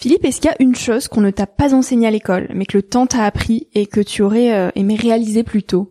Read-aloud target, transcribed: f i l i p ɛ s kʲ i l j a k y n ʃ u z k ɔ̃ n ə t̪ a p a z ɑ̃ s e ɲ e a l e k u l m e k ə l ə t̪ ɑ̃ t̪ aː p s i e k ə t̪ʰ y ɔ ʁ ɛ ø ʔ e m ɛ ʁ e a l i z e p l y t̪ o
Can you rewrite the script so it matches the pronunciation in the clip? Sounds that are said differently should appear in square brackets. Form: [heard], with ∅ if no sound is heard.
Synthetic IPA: f i l i p ɛ s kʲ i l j a [ʔ] y n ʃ [o] z k ɔ̃ n ə t̪ a p a z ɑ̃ s e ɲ e a l e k [ɔ] l m [ɛ] k ə l ə t̪ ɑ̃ t̪ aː p [χ] i e k ə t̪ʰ y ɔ ʁ ɛ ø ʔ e m ɛ ʁ e a l i z e p l y t̪ o